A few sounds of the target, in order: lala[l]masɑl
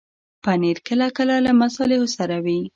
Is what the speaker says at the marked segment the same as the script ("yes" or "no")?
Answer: no